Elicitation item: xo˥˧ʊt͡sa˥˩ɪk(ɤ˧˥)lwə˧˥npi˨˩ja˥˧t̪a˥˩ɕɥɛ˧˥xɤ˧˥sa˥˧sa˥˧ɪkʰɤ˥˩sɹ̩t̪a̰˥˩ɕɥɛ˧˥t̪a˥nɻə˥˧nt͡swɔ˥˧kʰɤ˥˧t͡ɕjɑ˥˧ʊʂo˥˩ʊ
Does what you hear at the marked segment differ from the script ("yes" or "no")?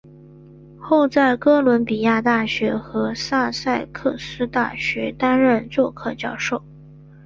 yes